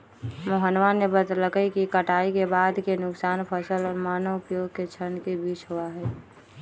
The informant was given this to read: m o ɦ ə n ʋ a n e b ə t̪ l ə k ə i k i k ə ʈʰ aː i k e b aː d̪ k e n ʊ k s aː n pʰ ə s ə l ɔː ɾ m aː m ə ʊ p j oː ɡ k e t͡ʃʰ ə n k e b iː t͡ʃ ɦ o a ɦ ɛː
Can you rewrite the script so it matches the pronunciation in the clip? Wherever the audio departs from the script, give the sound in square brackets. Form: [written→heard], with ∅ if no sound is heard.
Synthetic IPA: m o ɦ ə n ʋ a n e b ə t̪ l ə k ə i k i k ə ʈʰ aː i k e b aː d̪ k e n ʊ k s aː n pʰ ə s ə l ɔː ɾ m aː [m→n] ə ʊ p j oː ɡ k e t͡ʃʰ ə n k e b iː t͡ʃ ɦ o a ɦ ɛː